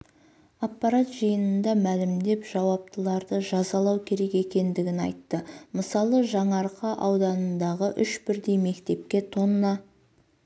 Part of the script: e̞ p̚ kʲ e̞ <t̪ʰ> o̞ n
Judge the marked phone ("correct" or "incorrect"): correct